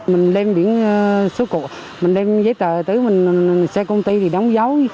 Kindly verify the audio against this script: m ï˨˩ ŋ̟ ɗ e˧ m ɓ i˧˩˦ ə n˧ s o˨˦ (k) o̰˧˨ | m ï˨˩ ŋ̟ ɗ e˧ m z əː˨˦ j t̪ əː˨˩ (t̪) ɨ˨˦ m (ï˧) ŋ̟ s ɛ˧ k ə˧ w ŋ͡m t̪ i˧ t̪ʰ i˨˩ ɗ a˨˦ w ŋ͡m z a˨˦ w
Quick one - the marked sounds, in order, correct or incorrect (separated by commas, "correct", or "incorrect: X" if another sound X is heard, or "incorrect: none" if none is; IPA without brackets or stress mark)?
correct, correct, incorrect: ï˨˩